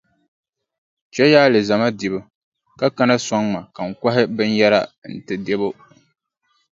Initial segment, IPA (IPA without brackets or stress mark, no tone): t͡ʃ